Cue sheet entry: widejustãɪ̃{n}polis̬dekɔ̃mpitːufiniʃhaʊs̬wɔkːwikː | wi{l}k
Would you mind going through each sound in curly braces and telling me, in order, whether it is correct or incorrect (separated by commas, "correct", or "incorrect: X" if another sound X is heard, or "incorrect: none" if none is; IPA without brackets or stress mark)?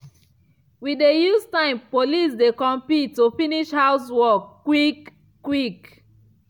incorrect: m, incorrect: none